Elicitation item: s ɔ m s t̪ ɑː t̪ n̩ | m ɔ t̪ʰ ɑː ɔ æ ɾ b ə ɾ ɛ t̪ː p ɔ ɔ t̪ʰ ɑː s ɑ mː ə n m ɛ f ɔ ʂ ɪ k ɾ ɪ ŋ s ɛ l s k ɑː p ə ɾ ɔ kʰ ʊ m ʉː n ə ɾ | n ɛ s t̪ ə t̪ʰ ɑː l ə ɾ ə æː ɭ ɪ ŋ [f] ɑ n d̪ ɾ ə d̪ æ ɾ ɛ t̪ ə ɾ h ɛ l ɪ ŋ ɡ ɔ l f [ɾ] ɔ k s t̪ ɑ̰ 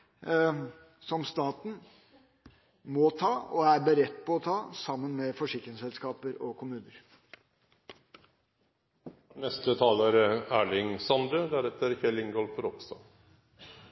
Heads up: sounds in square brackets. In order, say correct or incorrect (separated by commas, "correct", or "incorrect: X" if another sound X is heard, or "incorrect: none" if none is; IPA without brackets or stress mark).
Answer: incorrect: s, correct